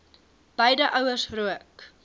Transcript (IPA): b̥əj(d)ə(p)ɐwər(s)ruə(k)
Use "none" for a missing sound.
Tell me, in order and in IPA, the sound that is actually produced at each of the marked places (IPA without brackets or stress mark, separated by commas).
d, ʔ, s, k